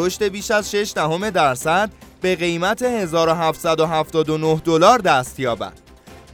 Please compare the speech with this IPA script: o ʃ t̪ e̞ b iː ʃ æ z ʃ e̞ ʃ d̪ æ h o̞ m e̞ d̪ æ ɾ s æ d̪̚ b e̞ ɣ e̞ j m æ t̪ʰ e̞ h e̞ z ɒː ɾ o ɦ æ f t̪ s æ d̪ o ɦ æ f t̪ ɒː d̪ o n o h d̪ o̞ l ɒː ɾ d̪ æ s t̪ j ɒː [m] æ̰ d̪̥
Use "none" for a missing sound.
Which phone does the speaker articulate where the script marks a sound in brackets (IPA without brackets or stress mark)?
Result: b